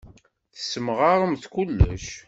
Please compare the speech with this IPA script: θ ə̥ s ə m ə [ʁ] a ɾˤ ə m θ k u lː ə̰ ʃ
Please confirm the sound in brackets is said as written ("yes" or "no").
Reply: yes